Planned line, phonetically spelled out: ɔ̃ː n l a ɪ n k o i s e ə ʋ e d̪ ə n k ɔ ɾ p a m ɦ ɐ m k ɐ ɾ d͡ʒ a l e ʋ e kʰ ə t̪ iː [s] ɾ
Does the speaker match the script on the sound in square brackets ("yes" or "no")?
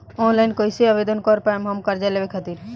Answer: no